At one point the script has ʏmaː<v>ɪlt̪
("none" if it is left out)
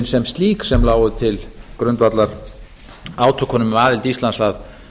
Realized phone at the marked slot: ð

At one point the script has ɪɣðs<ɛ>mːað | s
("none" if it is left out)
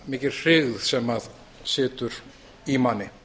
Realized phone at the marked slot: ɛ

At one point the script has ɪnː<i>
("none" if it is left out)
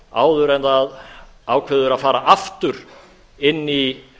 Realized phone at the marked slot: i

